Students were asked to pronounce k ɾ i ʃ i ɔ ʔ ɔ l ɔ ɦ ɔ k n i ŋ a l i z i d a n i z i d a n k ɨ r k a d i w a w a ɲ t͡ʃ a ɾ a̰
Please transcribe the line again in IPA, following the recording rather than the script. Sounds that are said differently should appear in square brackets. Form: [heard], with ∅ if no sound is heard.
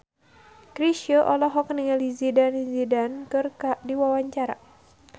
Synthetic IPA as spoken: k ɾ i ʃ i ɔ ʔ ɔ l ɔ ɦ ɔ k n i ŋ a l i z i d a n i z i d a n k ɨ r k a d i w a w a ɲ t͡ʃ a ɾ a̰